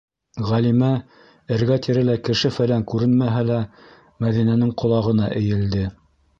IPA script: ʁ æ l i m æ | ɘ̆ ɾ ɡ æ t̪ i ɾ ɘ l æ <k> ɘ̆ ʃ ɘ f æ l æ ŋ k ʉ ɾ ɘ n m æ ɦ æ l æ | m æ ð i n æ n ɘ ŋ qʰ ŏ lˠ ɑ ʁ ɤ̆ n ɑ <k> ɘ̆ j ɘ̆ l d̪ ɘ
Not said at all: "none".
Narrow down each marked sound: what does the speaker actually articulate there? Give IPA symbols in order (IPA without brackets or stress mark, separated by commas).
k, ʔ